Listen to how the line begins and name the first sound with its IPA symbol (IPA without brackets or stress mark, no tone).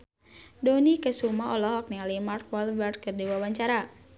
d